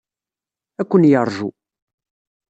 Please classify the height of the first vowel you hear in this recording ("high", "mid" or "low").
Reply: low